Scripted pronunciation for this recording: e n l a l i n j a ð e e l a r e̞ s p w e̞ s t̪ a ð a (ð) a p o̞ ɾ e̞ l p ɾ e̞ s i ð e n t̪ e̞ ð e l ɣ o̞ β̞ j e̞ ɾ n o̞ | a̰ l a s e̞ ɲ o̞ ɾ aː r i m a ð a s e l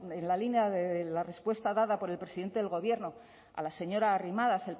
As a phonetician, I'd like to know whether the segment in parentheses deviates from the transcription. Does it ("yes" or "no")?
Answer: no